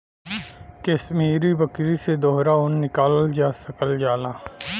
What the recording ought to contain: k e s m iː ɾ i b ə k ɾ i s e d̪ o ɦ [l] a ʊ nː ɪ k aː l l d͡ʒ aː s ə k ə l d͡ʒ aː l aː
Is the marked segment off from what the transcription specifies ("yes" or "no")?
yes